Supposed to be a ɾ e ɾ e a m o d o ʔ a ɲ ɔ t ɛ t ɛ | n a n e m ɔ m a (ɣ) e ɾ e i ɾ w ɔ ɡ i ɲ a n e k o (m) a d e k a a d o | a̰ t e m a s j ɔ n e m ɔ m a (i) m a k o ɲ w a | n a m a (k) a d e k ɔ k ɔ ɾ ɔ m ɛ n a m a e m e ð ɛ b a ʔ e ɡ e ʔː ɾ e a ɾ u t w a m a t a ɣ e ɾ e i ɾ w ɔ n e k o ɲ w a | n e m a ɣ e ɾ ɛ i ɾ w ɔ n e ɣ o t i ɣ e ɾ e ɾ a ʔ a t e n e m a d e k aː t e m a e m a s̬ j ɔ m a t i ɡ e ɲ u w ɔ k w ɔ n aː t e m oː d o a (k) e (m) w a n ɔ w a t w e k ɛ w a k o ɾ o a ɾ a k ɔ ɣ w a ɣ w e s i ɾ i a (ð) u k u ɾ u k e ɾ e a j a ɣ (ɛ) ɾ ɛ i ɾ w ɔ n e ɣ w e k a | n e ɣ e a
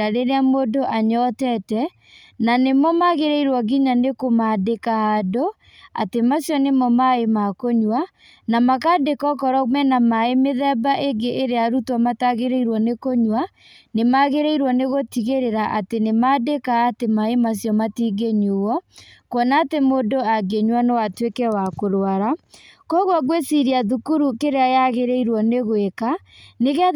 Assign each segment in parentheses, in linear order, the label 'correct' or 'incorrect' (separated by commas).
correct, correct, incorrect, correct, incorrect, incorrect, correct, incorrect